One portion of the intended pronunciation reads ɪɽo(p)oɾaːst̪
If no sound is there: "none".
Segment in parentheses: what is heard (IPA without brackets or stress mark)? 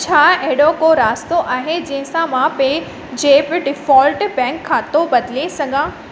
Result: k